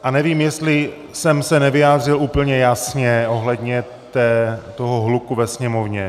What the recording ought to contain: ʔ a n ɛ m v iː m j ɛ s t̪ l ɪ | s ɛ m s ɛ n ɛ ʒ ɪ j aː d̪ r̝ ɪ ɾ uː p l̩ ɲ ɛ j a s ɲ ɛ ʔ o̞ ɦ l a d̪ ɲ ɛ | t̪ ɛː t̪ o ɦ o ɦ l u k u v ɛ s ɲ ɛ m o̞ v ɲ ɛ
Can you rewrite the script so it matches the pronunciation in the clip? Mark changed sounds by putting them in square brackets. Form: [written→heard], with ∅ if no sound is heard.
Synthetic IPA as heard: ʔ a n ɛ [m→∅] v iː m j ɛ s t̪ l ɪ | s ɛ m s ɛ n ɛ [ʒ→v] ɪ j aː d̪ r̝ ɪ [ɾ→l] uː p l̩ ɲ ɛ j a s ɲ ɛ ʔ o̞ ɦ l [a→ɛ] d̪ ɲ ɛ | t̪ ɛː t̪ o ɦ o ɦ l u k u v ɛ s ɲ ɛ m o̞ v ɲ ɛ